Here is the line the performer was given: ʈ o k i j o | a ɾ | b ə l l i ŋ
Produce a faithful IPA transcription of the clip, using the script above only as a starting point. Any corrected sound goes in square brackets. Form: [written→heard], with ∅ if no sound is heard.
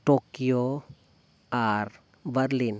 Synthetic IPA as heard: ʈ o k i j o | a ɾ | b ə [l→ɾ] l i [ŋ→n]